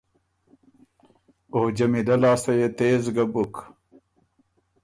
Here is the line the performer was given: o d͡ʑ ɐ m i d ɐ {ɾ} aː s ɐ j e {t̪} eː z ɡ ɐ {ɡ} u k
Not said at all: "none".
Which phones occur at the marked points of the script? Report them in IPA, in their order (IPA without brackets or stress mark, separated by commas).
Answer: l, t̪, b